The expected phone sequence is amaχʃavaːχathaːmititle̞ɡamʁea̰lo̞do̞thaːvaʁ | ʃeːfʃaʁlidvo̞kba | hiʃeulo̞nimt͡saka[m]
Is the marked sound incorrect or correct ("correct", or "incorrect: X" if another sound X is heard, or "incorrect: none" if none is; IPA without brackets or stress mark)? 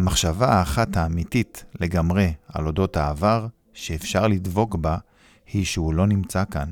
incorrect: n